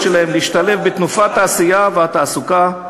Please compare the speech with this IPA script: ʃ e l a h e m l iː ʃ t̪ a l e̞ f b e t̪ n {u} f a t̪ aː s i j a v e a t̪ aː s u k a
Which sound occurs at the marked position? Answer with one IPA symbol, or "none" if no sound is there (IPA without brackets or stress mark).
u